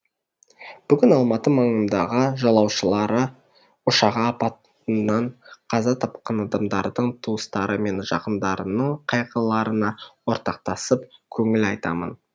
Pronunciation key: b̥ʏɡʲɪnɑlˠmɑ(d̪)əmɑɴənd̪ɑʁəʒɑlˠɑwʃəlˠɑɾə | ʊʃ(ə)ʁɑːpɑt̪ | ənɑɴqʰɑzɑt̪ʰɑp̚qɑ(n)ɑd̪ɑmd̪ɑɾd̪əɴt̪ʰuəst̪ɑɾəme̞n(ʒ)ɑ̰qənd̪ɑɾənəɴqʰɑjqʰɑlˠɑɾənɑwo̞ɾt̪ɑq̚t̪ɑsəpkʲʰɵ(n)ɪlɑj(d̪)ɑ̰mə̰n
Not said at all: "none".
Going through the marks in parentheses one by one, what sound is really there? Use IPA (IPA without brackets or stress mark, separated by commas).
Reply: t̪, ɑ, n, ʒ, ŋ, t̪